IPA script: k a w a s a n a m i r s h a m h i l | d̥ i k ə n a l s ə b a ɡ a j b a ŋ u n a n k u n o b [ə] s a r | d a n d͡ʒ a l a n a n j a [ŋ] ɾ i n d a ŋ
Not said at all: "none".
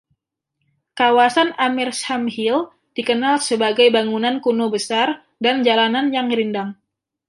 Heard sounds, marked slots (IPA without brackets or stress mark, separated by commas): ə, ŋ